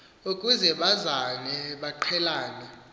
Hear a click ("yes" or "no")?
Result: yes